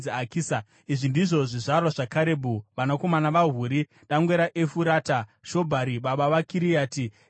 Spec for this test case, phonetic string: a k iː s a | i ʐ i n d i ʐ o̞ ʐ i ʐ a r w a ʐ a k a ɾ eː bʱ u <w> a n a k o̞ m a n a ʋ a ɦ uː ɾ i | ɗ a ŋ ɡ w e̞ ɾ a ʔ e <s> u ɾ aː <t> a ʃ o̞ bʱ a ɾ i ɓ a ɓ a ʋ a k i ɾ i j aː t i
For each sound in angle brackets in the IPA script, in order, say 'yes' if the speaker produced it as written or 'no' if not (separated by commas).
no, no, yes